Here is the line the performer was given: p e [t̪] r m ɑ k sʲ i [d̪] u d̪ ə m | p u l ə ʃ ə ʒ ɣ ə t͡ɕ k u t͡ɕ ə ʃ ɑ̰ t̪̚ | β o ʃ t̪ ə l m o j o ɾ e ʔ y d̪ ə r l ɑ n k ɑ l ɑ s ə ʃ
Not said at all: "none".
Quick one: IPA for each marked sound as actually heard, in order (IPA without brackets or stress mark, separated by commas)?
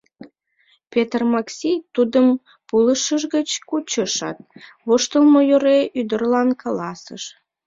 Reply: t̪, t̪